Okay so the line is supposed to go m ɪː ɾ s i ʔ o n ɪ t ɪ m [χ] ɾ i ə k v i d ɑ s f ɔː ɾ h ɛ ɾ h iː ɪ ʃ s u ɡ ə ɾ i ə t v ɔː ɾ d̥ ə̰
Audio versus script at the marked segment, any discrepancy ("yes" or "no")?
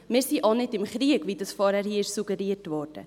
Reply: no